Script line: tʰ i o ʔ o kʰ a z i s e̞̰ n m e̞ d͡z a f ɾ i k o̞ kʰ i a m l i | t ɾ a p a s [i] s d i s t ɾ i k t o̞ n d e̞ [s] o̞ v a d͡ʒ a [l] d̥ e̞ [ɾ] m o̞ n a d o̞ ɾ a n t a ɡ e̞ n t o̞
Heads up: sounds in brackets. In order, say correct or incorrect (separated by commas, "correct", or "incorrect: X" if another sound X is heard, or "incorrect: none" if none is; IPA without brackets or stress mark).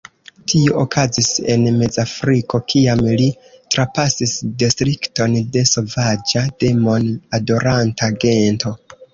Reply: correct, correct, incorrect: none, incorrect: none